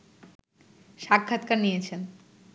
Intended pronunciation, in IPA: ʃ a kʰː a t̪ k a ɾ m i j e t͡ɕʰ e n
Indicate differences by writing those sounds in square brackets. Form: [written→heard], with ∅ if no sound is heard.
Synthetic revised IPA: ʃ a kʰː a t̪ k a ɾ [m→n] i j e t͡ɕʰ e n